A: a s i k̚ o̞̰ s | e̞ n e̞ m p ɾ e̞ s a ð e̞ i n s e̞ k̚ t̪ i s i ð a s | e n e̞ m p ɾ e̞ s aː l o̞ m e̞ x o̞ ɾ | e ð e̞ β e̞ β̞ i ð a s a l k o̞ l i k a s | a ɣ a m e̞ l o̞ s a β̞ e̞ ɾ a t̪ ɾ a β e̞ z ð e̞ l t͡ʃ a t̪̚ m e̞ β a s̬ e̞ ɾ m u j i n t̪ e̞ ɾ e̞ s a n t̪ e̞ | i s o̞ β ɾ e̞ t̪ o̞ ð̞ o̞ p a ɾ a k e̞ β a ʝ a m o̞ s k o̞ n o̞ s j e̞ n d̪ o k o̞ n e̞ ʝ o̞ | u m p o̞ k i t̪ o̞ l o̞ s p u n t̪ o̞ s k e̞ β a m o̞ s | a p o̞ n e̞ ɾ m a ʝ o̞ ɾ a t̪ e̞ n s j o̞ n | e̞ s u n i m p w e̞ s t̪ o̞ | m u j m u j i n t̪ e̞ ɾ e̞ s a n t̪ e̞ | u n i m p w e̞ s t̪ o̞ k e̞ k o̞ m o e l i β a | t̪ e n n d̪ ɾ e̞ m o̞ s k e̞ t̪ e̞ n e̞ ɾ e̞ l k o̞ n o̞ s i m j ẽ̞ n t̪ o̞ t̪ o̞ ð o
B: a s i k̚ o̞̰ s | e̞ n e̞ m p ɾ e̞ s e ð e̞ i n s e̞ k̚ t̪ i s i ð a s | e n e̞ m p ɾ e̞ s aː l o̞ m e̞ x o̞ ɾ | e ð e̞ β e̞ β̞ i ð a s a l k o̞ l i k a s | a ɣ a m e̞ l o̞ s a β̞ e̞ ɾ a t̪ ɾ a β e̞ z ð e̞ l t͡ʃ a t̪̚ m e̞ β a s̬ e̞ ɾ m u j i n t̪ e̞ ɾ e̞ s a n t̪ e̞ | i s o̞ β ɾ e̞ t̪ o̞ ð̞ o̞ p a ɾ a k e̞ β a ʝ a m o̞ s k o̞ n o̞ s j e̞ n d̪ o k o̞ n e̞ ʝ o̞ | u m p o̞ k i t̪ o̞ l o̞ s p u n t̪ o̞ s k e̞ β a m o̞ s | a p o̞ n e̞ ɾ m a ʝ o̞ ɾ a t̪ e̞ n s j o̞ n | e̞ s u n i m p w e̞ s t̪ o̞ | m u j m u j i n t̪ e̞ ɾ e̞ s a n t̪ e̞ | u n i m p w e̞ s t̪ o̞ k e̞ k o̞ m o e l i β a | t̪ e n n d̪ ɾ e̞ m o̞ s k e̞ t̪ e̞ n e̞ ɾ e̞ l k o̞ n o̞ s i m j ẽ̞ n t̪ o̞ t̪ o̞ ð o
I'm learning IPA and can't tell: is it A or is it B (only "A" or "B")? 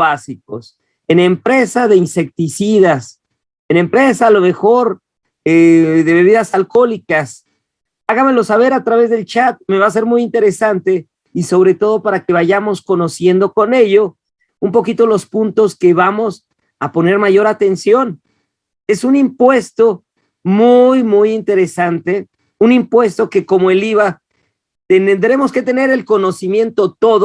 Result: A